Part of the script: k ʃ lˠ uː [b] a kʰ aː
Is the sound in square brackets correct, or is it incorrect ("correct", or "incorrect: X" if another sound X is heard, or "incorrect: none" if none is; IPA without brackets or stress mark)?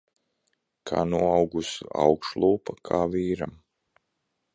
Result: incorrect: p